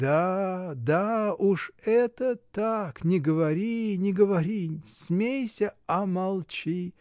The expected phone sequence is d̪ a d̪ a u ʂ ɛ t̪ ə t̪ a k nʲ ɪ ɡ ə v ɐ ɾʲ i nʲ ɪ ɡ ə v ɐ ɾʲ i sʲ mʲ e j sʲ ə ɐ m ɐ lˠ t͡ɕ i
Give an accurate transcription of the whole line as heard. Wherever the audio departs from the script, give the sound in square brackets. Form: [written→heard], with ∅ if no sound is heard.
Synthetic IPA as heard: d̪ a d̪ a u ʂ ɛ t̪ ə t̪ a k nʲ ɪ ɡ ə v ɐ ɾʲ i nʲ ɪ ɡ ə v ɐ ɾʲ i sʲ mʲ e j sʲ ə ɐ m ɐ lˠ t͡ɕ i